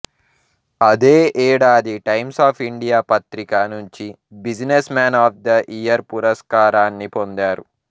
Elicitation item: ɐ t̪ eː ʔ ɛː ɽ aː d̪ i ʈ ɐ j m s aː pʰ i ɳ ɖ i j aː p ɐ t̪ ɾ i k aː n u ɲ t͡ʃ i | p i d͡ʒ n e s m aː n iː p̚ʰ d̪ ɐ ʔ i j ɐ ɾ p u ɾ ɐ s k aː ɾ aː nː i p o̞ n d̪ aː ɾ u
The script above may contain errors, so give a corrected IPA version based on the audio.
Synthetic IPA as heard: ɐ d̪ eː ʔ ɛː ɽ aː d̪ i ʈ ɐ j m s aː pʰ i ɳ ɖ i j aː p ɐ t̪ ɾ i k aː n u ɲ t͡ʃ i | b i d͡ʒ n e s m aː n aː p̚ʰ d̪ ɐ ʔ i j ɐ ɾ p u ɾ ɐ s k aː ɾ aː nː i p o̞ n d̪ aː ɾ u